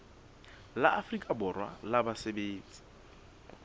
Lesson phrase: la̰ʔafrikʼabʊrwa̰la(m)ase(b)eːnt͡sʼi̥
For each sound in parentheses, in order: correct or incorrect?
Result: incorrect, correct

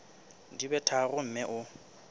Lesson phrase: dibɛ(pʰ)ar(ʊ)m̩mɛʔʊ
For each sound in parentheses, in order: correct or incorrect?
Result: incorrect, correct

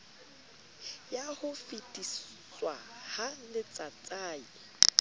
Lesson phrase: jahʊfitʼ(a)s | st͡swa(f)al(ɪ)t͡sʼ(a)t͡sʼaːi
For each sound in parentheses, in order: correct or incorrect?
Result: incorrect, incorrect, correct, correct

